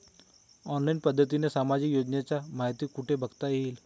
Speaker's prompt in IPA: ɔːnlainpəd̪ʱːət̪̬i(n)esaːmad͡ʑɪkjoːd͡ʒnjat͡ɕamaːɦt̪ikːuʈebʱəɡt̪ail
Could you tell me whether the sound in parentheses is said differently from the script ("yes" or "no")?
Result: no